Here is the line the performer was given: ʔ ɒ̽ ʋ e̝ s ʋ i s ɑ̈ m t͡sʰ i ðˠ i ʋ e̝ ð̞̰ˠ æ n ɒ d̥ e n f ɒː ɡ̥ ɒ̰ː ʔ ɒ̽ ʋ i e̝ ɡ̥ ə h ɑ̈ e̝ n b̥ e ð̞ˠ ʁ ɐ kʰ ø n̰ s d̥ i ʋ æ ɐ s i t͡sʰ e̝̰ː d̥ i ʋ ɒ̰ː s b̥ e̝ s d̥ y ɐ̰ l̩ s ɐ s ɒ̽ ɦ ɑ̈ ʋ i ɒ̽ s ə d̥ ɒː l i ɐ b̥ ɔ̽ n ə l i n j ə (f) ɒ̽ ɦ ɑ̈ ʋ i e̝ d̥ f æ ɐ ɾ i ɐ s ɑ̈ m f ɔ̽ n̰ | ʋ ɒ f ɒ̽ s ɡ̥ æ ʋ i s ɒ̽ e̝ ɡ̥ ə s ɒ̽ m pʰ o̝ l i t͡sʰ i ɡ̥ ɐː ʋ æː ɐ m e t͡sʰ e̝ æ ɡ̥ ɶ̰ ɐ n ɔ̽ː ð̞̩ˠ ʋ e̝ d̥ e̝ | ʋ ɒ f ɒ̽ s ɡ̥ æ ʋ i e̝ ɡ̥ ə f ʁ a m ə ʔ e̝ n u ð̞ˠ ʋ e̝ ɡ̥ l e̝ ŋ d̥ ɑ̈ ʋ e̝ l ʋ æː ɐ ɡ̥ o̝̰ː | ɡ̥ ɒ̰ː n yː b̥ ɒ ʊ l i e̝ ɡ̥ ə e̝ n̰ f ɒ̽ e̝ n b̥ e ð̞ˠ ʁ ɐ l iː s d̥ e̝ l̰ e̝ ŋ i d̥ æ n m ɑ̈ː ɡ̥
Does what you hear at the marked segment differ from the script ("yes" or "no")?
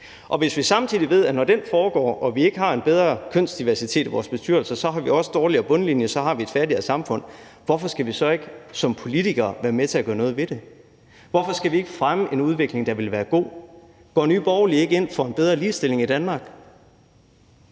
yes